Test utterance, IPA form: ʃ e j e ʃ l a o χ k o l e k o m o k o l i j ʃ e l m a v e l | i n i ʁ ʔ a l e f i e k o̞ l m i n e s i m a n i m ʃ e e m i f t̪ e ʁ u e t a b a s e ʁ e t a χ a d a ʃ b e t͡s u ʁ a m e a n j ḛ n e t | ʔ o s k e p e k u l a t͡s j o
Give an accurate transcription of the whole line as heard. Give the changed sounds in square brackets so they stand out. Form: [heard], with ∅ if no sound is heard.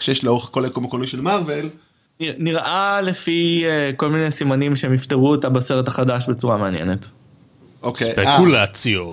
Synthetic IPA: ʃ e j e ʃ l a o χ k o l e k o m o k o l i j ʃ e l m a v e l | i n i ʁ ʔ a l e f i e k o̞ l m i n e s i m a n i m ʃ e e m i f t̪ e ʁ u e t a b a s e ʁ e t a χ a d a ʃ b e t͡s u ʁ a m e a n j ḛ n e t | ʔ o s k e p e k u l a t͡s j o